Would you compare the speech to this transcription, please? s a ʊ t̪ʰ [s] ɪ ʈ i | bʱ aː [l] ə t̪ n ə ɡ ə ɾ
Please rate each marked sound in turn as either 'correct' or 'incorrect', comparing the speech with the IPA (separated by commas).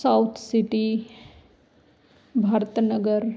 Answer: correct, incorrect